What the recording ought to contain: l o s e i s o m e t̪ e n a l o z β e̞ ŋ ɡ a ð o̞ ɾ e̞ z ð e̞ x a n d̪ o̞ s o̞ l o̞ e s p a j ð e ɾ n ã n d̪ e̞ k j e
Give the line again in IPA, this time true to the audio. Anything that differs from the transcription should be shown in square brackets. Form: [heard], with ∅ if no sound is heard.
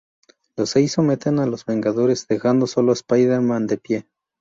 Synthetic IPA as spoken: l o s e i s o m e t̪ e n a l o z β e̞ ŋ ɡ a ð o̞ ɾ e̞ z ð e̞ x a n d̪ o̞ s o̞ l o̞ e s p a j ð e ɾ [m] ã n d̪ e̞ [p] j e